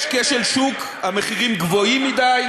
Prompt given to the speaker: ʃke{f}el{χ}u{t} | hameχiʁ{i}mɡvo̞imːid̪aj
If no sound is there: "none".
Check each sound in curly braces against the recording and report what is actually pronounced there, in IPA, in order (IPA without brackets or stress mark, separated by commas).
ʃ, ʃ, k, i